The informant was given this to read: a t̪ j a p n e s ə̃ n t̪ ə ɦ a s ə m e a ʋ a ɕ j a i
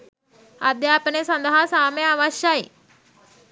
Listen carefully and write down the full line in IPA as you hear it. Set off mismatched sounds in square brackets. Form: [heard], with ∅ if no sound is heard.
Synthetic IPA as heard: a [d̪] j a p n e s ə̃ n [d̪] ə ɦ a s [a] m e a ʋ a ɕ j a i